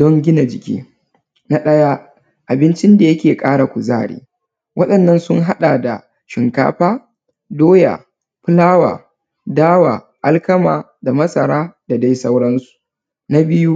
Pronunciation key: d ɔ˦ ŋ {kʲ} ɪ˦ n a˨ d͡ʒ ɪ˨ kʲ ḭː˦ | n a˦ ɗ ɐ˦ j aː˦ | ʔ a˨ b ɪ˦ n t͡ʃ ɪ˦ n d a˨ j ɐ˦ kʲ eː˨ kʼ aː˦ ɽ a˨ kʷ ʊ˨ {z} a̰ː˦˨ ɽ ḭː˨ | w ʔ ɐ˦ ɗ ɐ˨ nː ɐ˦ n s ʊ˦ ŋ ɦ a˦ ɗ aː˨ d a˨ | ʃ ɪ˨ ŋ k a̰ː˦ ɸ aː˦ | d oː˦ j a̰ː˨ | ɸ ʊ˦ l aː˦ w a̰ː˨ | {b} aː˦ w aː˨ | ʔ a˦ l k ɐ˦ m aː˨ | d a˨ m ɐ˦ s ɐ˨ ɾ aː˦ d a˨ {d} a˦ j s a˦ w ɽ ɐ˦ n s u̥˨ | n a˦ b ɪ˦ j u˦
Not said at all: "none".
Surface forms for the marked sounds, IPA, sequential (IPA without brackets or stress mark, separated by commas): ɡʲ, z, d, d